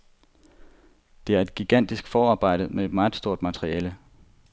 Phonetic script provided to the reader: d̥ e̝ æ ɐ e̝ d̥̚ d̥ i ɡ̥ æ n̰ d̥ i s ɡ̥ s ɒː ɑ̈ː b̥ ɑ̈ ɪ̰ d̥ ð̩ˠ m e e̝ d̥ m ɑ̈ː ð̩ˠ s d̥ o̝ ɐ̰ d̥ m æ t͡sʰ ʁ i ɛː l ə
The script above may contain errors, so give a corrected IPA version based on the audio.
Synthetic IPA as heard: d̥ e̝ æ ɐ e̝ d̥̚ ɡ̥ i ɡ̥ æ n̰ d̥ i s ɡ̥ f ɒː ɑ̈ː b̥ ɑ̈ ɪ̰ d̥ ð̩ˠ m e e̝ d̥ m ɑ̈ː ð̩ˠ s d̥ o̝ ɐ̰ d̥ m æ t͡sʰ ʁ i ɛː l ə